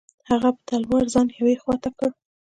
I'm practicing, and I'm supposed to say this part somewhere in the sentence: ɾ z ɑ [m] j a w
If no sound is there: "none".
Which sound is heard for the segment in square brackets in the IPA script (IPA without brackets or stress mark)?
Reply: n